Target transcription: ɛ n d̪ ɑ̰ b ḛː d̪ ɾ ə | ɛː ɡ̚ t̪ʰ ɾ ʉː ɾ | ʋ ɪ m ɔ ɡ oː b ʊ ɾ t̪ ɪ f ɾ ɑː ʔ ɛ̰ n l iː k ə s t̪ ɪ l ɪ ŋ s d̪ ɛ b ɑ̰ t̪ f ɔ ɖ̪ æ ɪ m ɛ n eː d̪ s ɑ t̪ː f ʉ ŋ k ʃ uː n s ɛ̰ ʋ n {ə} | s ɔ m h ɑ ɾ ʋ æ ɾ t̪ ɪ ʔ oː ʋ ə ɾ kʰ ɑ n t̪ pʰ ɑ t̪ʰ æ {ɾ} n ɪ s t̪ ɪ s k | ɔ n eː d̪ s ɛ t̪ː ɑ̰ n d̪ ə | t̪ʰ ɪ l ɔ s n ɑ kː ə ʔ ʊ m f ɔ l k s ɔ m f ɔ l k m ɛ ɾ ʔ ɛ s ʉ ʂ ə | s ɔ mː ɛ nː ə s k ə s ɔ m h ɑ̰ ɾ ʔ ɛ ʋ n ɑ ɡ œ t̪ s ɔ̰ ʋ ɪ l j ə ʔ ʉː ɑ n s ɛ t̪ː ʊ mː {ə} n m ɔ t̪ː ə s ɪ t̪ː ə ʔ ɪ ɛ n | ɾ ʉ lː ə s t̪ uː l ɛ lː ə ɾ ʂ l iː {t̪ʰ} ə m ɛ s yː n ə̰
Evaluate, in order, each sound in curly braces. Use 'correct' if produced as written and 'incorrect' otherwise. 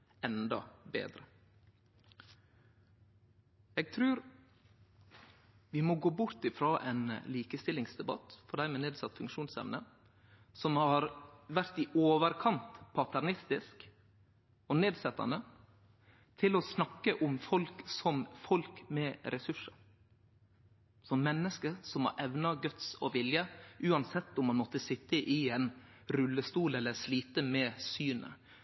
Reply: correct, correct, incorrect, incorrect

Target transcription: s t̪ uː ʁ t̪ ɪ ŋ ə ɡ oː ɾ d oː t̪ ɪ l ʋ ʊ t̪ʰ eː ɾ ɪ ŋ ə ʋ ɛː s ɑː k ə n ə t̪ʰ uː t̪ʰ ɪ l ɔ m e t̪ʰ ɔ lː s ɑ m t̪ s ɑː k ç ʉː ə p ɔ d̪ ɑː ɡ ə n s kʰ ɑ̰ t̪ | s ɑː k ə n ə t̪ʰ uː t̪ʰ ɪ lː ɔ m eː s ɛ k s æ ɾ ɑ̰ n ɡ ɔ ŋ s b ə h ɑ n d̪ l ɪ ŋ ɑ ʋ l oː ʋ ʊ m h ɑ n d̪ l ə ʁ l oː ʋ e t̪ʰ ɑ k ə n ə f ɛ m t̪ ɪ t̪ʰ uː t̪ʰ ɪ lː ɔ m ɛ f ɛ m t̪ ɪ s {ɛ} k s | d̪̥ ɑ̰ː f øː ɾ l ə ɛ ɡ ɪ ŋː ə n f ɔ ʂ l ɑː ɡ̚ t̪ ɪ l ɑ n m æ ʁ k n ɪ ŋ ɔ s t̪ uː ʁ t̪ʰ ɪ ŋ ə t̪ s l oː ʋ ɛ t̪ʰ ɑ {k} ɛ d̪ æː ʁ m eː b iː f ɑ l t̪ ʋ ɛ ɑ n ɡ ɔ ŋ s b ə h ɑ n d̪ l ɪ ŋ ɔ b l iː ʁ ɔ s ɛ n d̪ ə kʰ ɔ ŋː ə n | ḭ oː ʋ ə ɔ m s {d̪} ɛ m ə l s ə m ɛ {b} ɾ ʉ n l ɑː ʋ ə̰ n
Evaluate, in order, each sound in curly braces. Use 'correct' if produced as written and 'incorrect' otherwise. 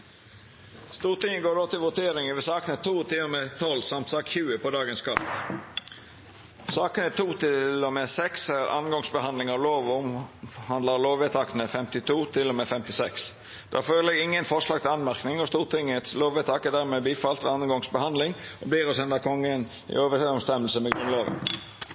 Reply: correct, correct, incorrect, incorrect

